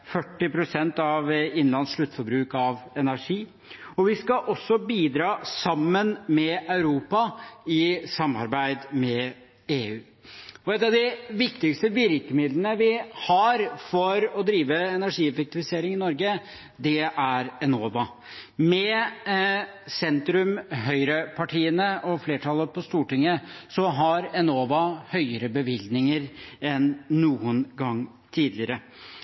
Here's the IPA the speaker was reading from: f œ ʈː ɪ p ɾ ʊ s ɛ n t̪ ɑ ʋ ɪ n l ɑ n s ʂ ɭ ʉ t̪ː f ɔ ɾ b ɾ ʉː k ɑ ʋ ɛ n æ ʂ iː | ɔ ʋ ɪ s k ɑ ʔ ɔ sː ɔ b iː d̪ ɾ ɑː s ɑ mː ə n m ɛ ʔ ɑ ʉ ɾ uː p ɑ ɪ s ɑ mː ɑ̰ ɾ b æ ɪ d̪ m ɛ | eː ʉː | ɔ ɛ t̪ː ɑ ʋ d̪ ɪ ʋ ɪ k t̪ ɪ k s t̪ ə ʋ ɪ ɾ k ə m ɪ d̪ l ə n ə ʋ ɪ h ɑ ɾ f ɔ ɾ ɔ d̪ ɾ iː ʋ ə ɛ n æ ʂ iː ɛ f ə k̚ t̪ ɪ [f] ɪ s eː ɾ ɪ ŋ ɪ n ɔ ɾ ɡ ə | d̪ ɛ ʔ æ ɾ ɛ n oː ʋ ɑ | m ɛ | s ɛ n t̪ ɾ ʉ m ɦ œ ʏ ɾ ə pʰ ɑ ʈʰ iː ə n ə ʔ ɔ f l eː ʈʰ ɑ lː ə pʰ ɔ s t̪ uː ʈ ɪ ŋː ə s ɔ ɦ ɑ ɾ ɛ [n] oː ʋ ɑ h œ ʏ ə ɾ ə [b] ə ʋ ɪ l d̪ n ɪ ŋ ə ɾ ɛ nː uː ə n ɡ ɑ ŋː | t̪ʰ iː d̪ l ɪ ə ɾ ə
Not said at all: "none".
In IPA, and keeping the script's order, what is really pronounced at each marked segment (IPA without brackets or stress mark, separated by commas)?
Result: f, n, b